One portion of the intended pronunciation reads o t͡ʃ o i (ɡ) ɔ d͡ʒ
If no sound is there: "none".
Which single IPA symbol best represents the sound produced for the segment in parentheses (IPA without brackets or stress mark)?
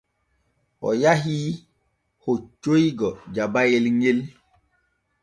ɡ